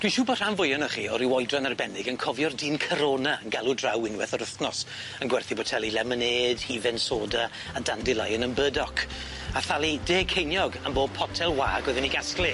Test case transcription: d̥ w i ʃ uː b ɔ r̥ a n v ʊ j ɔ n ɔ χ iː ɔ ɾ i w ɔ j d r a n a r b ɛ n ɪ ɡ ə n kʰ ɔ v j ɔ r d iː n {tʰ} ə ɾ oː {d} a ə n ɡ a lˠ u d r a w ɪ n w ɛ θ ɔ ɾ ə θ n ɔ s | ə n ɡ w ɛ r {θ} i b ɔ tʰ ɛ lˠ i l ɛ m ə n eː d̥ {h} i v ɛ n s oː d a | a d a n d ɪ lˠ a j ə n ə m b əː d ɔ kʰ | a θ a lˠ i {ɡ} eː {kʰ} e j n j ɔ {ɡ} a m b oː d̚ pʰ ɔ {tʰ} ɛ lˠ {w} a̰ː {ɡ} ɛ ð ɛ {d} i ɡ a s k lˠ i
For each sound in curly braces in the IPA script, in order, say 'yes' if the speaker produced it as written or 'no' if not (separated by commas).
no, no, yes, yes, no, yes, yes, yes, yes, yes, no